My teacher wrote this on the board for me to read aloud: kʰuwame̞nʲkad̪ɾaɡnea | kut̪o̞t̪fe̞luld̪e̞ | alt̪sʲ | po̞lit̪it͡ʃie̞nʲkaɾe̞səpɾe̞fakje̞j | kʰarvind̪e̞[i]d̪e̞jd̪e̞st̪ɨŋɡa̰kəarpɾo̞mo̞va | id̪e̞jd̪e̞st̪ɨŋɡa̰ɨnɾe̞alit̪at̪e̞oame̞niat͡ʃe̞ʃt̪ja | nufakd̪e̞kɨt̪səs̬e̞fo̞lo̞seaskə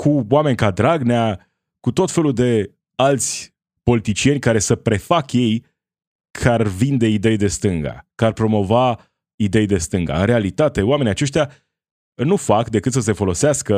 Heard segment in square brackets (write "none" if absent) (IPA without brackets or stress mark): i